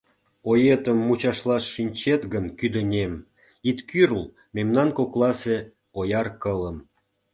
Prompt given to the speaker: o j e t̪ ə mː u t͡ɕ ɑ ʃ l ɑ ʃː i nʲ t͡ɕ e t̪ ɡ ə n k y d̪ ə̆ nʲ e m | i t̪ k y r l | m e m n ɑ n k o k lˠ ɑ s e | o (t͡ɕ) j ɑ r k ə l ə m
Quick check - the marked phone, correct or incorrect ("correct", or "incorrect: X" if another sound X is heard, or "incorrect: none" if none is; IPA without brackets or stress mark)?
incorrect: none